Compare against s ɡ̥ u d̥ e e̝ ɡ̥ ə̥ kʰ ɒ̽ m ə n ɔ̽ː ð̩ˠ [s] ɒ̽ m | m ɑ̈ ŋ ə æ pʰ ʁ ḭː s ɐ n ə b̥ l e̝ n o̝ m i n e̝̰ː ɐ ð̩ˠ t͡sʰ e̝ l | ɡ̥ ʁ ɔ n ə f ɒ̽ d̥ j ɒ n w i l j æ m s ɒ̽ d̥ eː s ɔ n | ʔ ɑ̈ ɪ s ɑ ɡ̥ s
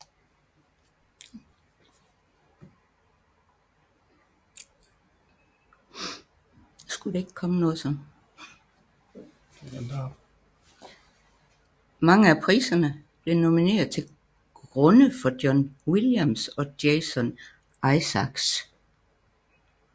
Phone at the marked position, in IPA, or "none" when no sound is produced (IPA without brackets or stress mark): s